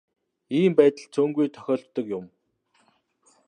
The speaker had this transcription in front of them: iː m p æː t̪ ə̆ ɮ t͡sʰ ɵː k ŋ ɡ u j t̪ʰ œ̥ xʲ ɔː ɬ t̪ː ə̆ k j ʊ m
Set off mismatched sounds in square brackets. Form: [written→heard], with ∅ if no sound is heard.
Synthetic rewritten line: iː m p æː t̪ ə̆ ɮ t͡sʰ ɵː [k→∅] ŋ ɡ u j t̪ʰ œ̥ xʲ ɔː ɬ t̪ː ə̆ k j ʊ m